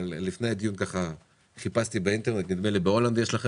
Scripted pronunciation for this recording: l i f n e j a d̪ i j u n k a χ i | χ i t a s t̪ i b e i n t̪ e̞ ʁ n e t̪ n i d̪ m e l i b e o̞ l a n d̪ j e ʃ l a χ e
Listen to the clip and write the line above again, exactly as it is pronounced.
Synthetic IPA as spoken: l i f n e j a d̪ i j u n k a χ a | χ i p a s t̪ i b e i n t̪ e̞ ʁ n e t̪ n i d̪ m e l i b e o̞ l a n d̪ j e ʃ l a χ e